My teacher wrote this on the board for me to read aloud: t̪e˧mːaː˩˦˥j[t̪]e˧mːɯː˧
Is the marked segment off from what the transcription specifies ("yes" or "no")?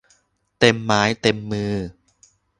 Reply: no